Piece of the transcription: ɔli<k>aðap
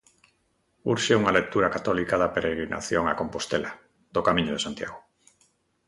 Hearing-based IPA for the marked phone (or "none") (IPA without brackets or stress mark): k